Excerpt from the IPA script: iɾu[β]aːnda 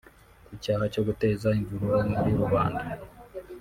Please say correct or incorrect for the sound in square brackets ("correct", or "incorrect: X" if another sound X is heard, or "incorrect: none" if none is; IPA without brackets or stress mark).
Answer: correct